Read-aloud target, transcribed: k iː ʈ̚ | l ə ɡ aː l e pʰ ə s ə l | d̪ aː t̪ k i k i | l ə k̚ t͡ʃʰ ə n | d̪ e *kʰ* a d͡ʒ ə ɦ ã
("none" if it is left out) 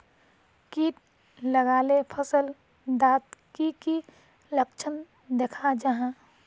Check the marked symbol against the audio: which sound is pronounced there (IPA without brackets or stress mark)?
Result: kʰ